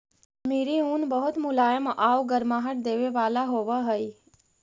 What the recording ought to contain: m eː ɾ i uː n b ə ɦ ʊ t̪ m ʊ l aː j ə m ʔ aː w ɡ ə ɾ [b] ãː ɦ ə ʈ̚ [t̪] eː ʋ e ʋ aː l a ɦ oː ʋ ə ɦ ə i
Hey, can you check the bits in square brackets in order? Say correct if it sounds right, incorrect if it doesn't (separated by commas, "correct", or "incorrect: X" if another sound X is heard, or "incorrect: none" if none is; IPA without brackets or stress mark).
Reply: incorrect: m, incorrect: d̪